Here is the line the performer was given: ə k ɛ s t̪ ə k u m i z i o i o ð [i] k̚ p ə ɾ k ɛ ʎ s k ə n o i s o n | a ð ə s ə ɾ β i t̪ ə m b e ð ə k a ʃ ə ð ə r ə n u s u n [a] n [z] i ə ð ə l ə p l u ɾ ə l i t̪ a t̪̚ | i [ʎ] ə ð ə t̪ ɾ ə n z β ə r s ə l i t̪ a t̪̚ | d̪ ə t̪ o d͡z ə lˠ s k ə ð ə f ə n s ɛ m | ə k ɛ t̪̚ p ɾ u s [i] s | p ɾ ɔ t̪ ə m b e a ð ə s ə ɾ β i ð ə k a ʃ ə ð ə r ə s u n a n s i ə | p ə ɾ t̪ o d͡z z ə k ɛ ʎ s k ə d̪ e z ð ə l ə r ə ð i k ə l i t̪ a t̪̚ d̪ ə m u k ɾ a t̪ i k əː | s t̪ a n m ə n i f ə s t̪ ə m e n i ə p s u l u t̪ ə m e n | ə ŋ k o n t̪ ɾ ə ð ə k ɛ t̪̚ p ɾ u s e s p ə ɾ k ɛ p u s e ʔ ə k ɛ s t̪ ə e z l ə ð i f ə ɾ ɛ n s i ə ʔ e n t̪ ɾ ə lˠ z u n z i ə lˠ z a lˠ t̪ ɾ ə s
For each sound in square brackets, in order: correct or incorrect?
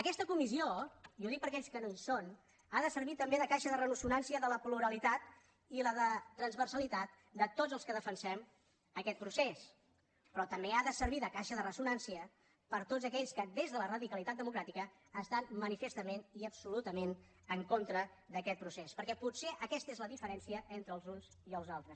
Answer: correct, correct, incorrect, incorrect, incorrect

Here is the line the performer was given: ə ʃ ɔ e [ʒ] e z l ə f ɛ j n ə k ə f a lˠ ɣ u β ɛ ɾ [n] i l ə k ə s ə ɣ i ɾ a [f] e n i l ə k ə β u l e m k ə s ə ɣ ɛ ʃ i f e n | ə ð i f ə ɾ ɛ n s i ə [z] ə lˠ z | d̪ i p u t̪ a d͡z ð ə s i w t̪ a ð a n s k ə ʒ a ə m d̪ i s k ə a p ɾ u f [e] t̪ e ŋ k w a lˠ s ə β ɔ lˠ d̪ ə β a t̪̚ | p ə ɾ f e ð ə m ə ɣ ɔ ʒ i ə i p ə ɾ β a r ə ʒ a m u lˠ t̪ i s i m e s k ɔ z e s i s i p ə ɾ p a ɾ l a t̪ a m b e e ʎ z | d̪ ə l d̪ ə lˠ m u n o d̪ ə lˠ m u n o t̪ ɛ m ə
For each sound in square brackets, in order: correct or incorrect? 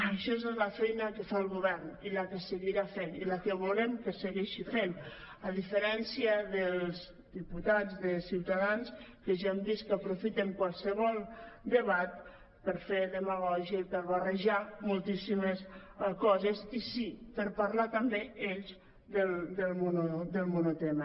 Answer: incorrect, correct, correct, incorrect, incorrect

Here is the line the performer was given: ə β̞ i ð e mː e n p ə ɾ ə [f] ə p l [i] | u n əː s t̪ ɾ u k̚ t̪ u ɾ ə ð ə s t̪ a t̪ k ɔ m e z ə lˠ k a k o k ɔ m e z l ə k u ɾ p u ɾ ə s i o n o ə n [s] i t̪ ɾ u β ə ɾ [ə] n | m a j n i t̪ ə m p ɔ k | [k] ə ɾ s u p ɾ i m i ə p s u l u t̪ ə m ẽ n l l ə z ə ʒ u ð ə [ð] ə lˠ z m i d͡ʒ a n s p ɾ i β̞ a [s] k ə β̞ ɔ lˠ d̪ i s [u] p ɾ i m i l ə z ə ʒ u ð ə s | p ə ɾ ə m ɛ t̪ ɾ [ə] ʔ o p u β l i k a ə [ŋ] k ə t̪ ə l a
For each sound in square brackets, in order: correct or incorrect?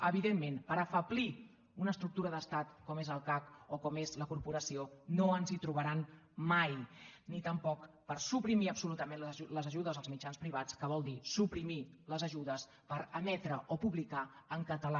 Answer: correct, correct, incorrect, incorrect, incorrect, incorrect, incorrect, correct, correct, correct

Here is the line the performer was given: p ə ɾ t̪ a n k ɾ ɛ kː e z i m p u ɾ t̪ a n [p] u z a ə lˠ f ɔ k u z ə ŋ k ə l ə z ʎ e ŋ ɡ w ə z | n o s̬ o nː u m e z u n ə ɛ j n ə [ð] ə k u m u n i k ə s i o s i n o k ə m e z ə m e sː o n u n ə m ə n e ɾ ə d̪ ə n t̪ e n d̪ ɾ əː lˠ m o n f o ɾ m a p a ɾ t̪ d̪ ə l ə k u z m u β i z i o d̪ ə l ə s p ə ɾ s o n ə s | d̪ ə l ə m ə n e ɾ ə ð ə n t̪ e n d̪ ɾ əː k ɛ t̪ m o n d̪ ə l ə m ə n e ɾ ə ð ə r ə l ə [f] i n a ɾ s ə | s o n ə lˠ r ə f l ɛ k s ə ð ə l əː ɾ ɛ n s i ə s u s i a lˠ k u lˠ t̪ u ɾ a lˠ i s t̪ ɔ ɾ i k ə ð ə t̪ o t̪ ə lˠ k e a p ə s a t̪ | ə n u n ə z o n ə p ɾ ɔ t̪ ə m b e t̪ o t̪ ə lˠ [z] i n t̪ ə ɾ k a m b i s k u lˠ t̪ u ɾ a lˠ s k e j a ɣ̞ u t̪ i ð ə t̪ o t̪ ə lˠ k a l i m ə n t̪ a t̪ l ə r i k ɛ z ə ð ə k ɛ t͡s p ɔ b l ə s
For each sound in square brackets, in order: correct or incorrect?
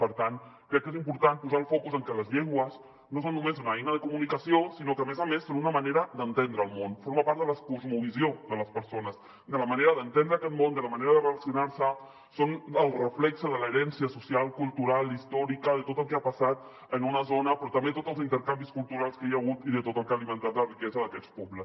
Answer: correct, correct, incorrect, correct

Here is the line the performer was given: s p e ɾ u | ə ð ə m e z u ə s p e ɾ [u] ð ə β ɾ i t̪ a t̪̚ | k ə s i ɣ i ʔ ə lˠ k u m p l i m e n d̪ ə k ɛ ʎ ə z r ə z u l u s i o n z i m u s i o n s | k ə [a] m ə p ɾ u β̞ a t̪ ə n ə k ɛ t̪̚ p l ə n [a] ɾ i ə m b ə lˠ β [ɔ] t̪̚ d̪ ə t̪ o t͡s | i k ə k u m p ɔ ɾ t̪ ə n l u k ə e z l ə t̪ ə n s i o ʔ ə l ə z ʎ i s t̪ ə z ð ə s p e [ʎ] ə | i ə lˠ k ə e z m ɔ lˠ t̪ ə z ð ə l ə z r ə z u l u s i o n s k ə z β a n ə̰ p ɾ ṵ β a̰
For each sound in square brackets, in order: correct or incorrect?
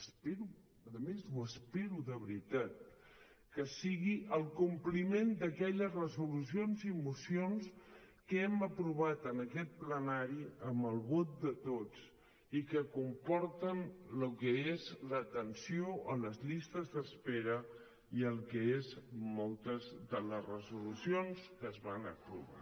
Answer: correct, incorrect, correct, incorrect, incorrect

